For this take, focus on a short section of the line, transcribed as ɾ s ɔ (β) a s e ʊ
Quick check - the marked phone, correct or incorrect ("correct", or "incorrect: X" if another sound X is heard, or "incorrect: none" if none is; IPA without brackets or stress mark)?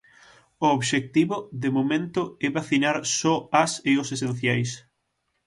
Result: incorrect: none